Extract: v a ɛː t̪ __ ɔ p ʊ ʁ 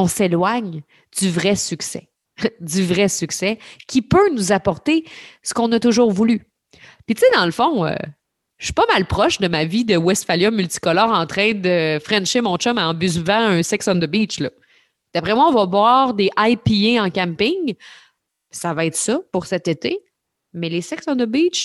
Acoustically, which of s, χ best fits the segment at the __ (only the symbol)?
s